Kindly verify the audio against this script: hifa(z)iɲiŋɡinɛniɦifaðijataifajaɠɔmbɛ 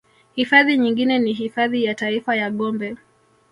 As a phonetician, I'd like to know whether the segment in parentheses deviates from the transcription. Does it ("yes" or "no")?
yes